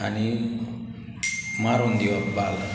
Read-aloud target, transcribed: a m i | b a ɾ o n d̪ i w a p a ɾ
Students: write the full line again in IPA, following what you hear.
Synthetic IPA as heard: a n i | m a ɾ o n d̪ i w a b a l